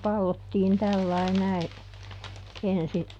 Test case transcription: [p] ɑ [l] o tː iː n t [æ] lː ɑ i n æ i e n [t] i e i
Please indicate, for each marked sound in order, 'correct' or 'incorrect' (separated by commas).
correct, incorrect, correct, incorrect